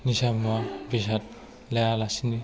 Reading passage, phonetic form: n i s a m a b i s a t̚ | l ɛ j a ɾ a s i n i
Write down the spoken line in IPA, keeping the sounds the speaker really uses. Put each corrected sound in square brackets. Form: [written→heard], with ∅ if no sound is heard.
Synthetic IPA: n i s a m a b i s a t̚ | l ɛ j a [ɾ→l] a s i n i